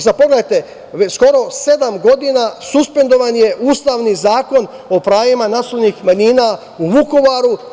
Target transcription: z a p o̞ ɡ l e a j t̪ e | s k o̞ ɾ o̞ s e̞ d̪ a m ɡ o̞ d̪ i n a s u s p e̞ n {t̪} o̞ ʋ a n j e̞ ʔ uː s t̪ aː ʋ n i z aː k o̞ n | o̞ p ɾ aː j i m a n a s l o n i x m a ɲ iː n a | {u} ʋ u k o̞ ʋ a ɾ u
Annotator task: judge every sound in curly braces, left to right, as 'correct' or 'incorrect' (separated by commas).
incorrect, correct